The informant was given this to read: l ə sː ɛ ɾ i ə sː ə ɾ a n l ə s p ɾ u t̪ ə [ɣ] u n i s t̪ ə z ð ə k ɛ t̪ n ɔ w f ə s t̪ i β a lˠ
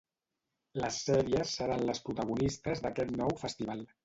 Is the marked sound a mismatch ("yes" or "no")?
no